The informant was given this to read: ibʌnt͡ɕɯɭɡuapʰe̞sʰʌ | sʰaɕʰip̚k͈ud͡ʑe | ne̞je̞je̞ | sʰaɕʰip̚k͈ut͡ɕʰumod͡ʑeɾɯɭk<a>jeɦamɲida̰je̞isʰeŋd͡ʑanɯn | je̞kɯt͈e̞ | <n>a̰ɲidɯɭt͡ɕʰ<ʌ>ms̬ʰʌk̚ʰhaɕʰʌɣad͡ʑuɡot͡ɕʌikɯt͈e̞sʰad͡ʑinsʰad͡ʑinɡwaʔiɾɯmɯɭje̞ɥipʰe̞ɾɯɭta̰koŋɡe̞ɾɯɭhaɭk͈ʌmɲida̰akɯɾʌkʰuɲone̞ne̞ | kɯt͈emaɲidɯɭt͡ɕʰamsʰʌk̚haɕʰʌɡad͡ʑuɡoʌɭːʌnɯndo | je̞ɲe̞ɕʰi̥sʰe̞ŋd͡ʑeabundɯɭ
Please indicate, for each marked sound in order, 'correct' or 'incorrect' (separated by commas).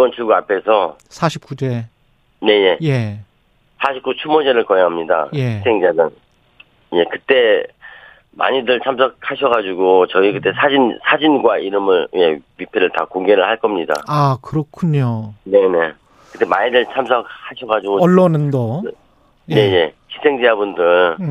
incorrect, incorrect, incorrect